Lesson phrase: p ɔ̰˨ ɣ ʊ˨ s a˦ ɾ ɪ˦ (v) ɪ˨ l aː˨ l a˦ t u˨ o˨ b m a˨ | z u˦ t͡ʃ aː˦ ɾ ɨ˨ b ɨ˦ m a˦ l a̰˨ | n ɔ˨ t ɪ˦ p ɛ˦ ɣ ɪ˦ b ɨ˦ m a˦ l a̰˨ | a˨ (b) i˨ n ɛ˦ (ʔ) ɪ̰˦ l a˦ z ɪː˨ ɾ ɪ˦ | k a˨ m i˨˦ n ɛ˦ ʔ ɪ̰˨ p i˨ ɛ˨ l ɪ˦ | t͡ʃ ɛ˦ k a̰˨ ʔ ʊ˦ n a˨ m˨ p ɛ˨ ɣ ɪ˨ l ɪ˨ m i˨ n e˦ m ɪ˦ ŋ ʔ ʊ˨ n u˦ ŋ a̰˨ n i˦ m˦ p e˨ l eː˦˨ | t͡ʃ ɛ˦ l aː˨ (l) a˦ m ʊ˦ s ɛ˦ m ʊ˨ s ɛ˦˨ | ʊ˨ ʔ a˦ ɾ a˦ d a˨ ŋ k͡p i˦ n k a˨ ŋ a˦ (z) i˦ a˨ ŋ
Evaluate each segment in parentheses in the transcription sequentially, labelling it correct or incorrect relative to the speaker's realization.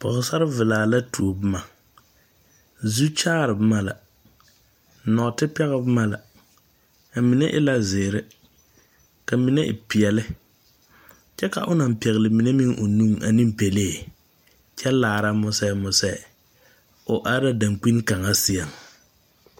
correct, incorrect: m, correct, incorrect: ɾ, incorrect: s

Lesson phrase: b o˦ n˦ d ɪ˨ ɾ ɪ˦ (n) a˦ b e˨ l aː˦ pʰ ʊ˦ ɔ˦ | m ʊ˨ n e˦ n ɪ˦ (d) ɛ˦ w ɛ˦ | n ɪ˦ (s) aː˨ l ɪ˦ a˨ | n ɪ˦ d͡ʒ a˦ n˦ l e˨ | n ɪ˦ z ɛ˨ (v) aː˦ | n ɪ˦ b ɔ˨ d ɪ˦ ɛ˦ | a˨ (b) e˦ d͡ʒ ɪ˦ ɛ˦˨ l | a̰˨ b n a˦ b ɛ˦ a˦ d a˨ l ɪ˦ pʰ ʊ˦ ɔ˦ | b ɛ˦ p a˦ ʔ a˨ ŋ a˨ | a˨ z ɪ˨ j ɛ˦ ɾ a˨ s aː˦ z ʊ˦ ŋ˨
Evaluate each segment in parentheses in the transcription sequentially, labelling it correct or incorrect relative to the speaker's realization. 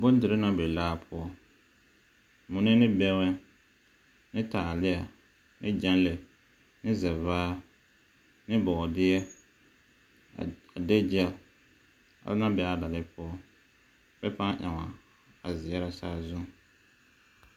correct, incorrect: b, incorrect: t, correct, incorrect: d

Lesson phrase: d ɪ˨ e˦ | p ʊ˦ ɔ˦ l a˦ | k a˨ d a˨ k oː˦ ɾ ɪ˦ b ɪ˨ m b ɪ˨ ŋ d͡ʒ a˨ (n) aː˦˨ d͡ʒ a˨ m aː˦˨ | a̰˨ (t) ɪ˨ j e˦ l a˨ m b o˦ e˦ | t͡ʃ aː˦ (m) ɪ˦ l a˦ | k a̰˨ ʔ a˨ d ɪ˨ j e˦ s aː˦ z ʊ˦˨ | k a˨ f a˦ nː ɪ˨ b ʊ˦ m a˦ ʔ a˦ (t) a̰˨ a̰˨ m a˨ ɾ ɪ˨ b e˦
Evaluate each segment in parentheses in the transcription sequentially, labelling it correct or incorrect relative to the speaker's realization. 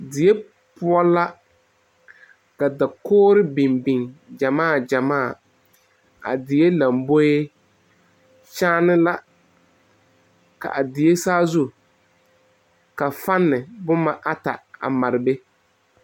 incorrect: m, incorrect: d, incorrect: n, correct

